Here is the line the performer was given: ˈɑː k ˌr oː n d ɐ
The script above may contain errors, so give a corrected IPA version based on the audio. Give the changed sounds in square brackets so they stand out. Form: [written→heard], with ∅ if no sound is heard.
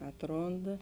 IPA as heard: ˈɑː [k→t] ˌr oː n d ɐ